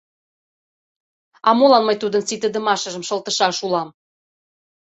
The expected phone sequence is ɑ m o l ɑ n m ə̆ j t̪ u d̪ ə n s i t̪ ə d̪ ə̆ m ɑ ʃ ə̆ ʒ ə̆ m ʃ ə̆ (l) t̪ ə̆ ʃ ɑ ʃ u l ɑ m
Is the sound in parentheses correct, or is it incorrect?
correct